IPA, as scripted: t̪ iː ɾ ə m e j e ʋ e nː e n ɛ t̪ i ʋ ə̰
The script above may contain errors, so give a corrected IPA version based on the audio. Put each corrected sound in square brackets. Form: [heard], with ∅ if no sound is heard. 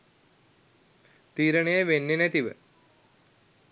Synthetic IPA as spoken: t̪ iː ɾ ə [ɳ] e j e ʋ e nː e n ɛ t̪ i ʋ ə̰